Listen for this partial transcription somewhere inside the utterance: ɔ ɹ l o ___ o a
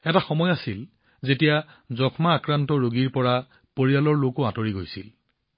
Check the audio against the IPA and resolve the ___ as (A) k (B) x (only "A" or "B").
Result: A